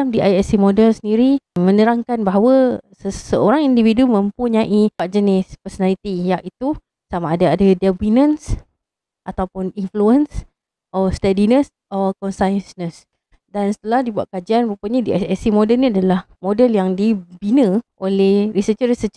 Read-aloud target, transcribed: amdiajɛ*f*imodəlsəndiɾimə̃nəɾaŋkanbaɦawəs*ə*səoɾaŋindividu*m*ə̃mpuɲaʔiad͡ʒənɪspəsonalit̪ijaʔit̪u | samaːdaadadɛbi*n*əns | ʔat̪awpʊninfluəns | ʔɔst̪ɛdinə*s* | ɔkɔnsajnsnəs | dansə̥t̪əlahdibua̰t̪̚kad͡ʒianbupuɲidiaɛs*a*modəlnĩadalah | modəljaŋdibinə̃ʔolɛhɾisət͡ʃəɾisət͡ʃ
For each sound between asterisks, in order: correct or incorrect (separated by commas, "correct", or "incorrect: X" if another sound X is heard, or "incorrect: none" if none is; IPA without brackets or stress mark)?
incorrect: s, correct, correct, correct, correct, incorrect: i